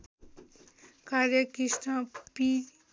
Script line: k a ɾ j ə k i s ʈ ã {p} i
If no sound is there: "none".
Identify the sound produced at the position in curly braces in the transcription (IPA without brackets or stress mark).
p